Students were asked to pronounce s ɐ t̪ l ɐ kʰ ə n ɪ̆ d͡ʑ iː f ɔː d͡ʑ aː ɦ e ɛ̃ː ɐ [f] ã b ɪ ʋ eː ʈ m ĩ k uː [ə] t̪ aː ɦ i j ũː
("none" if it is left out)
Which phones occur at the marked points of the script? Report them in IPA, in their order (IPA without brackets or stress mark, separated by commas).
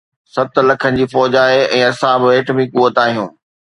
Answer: s, ə